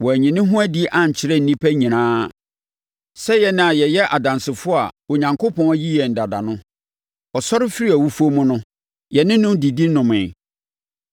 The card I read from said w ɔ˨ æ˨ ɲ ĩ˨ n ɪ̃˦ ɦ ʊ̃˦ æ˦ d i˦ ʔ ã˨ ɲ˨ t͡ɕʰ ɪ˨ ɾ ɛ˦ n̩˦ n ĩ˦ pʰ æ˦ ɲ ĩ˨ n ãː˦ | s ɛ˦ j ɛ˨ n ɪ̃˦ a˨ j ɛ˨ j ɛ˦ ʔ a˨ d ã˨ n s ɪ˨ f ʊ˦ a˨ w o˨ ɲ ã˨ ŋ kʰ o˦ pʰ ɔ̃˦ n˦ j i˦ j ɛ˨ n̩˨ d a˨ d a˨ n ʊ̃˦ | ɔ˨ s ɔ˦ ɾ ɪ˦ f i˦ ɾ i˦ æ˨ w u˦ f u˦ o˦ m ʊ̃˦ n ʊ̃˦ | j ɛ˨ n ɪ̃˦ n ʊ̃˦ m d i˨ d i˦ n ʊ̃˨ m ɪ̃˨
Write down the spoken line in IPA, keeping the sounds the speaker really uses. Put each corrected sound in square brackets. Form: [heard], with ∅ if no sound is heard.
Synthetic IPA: w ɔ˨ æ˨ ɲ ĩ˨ n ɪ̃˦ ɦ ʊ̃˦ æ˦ d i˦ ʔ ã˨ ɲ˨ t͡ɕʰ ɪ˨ ɾ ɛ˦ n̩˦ n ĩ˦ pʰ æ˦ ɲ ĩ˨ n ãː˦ | s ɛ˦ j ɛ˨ n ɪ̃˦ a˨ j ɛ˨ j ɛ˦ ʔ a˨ d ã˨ n s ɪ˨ f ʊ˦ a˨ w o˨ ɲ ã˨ ŋ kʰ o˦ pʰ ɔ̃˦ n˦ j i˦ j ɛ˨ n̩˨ d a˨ d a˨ n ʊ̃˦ | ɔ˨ s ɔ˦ ɾ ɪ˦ f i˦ ɾ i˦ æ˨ w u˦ f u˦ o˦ m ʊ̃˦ n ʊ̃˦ | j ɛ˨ n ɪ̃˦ n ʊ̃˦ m d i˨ d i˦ n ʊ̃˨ m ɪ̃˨